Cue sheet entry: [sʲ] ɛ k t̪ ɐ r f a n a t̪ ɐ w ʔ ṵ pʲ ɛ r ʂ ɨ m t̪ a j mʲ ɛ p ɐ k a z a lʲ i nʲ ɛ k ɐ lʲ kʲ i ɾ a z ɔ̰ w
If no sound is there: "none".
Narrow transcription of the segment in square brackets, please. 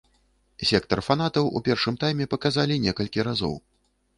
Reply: sʲ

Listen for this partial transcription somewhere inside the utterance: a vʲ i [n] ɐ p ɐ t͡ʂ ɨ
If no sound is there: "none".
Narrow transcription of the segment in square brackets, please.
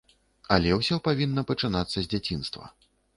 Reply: nː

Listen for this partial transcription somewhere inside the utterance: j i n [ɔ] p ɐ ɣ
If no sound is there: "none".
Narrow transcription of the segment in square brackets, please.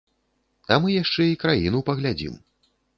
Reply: u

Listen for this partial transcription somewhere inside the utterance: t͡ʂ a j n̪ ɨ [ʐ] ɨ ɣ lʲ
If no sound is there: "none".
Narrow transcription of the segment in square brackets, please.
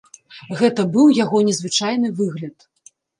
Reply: v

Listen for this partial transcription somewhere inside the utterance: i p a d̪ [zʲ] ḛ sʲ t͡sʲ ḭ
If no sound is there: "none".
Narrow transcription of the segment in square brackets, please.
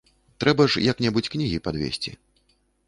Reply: vʲ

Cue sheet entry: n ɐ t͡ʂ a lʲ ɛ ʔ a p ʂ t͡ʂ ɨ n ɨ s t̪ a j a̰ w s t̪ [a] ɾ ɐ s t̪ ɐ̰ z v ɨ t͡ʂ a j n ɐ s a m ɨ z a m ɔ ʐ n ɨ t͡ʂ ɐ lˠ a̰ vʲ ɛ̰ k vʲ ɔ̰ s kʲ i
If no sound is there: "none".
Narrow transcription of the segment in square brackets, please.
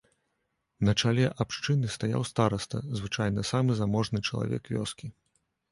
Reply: a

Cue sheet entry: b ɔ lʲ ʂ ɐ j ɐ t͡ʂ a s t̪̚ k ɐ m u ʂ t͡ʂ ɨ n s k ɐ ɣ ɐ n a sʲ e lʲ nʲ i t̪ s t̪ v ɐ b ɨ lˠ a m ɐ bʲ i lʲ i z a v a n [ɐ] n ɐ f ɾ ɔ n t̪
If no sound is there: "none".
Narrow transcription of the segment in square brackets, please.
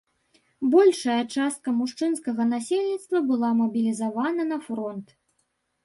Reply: ɐ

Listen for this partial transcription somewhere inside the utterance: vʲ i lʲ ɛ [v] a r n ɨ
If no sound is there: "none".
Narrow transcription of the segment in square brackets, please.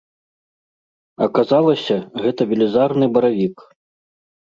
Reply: z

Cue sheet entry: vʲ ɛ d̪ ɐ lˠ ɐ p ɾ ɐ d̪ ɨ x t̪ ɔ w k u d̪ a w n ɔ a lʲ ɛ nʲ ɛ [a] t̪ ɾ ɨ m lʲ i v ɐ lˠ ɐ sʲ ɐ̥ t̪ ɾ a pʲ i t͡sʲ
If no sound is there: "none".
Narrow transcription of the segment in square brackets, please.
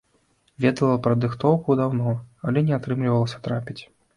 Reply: a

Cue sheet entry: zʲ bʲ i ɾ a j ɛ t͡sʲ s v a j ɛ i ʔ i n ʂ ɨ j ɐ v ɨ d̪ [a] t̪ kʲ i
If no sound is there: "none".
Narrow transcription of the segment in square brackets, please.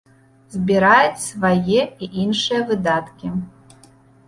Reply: a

